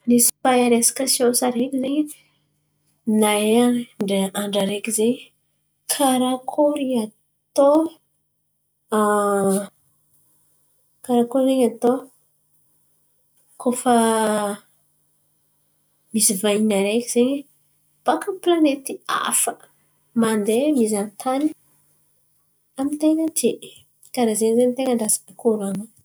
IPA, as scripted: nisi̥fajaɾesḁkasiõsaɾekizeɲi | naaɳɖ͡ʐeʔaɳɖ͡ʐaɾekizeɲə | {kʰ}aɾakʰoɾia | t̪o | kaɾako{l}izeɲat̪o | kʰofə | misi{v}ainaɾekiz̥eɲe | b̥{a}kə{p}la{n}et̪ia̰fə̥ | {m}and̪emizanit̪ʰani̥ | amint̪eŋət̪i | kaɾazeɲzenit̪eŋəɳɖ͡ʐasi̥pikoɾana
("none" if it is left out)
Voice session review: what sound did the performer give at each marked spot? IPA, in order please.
kʰ, ɾ, v, a, p, n, m

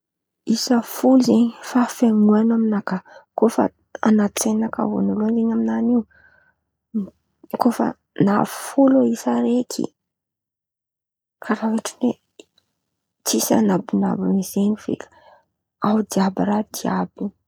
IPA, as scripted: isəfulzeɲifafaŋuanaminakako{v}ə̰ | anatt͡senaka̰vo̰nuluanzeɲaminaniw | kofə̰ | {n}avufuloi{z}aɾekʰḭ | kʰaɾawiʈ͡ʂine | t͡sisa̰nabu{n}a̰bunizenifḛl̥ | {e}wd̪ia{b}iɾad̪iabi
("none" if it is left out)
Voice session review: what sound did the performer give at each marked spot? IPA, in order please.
f, n, s, n, a, b

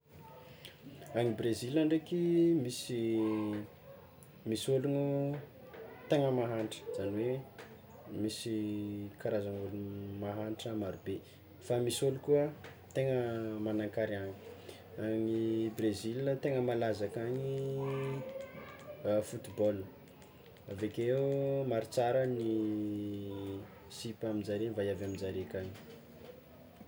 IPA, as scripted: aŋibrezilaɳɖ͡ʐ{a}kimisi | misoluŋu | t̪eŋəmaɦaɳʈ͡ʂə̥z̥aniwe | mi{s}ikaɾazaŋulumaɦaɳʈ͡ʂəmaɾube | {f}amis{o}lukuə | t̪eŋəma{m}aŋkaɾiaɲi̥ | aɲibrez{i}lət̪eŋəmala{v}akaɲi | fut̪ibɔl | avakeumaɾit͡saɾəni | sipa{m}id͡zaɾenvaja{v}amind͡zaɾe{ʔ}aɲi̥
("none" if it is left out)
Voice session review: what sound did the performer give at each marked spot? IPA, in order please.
e, s, f, o, n, i, z, m, v, k

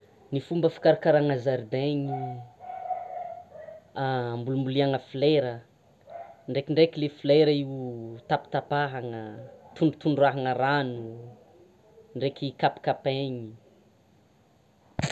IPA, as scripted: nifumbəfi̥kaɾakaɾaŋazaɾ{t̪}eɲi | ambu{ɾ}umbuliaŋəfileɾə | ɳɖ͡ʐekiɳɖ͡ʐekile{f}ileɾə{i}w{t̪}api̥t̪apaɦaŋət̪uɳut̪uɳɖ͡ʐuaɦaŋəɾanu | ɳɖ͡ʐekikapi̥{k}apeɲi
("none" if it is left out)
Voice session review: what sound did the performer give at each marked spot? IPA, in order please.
d̪, l, f, i, t̪, k

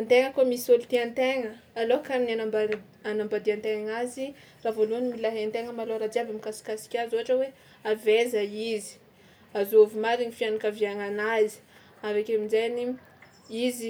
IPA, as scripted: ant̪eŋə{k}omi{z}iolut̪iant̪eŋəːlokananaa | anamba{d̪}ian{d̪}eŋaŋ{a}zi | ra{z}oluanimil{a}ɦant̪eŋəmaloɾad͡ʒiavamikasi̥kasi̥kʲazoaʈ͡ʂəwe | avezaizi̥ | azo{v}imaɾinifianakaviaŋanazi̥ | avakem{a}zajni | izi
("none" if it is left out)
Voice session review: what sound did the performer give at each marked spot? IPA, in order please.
k, s, d̪, t̪, a, v, a, v, i

